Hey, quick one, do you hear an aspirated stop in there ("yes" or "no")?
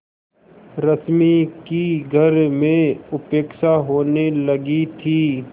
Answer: yes